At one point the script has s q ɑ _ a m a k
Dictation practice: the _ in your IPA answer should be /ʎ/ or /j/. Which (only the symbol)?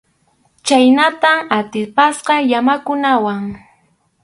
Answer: j